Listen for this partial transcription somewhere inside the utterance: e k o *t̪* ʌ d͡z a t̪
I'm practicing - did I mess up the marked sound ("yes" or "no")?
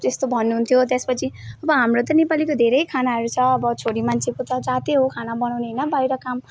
no